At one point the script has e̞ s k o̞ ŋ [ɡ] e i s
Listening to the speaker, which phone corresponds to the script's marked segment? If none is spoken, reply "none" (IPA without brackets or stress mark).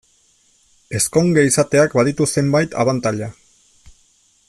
ɡ